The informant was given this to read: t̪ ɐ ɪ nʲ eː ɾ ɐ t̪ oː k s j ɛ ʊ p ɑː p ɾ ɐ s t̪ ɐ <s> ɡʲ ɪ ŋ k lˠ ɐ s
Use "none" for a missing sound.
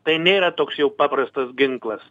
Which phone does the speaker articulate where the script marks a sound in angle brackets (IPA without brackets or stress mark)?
s